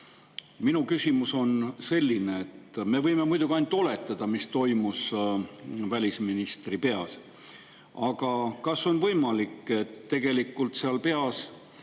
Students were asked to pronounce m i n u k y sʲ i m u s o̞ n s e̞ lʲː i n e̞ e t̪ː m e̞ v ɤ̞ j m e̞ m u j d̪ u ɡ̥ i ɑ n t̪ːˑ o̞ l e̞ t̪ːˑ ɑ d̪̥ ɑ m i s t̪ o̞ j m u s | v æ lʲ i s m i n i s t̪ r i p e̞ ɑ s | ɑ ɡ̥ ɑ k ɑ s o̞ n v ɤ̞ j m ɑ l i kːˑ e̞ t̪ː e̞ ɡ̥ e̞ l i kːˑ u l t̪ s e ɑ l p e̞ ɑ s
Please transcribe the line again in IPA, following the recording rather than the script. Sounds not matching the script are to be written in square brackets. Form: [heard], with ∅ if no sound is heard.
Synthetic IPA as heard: m i n u k y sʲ i m u s o̞ n s e̞ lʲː i n e̞ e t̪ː m e̞ v ɤ̞ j m e̞ m u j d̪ u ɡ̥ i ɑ n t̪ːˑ o̞ l e̞ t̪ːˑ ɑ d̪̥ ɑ m i s t̪ o̞ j m u s | v æ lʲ i s m i n i s t̪ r i p e̞ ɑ s | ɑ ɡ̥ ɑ k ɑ s o̞ n v ɤ̞ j m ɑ l i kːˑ e̞ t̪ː e̞ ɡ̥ e̞ l i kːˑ u l t̪ s e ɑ l p e̞ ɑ s